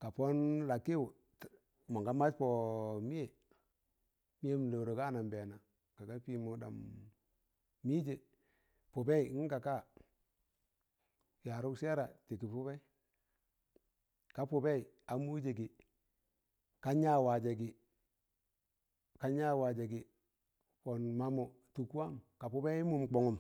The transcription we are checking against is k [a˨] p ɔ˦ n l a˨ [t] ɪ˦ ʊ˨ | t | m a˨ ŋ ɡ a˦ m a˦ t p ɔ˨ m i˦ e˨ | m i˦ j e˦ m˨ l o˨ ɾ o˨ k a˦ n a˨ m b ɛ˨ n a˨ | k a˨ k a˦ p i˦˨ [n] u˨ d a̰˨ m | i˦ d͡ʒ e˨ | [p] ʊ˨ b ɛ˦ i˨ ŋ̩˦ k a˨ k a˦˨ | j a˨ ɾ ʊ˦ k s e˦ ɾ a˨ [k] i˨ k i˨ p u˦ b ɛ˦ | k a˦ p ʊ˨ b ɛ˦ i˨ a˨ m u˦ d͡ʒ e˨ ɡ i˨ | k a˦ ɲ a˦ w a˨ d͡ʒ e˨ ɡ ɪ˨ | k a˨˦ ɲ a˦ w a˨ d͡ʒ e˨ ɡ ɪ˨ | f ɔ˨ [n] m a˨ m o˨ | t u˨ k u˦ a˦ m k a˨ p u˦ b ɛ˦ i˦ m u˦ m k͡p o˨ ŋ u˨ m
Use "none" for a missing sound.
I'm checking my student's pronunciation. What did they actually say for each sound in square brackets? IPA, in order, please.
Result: a˨, k, m, p, t, n

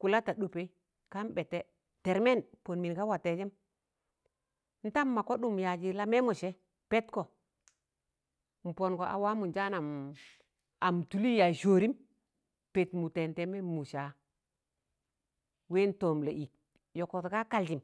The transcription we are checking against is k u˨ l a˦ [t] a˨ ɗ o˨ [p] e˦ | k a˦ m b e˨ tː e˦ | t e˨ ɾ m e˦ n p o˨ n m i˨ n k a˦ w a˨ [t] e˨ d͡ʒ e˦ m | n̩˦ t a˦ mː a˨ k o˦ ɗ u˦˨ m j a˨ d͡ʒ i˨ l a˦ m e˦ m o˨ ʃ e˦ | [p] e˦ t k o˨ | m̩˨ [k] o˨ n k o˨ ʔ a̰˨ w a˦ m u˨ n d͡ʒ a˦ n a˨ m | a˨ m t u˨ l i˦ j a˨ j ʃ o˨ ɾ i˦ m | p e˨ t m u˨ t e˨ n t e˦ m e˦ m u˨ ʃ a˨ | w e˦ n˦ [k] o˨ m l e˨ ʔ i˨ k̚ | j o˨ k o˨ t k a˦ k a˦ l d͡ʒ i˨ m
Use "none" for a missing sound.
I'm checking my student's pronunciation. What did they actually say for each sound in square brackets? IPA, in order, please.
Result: t, p, t, p, p, t

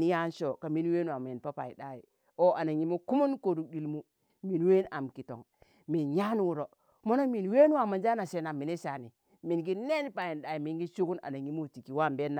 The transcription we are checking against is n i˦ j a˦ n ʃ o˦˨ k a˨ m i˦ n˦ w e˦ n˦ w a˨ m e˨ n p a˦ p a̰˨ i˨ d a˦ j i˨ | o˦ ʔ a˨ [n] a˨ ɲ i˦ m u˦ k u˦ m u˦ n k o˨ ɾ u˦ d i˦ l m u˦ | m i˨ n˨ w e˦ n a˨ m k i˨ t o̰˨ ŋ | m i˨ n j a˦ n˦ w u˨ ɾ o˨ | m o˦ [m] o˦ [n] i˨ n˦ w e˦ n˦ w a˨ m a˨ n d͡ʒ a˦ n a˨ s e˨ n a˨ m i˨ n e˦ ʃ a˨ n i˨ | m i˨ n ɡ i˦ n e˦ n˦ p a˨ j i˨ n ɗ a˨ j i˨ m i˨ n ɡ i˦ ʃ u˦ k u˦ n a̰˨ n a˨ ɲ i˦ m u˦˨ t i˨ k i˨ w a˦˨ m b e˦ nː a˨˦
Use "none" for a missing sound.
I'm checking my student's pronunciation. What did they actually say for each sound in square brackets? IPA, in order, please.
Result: n, n, m

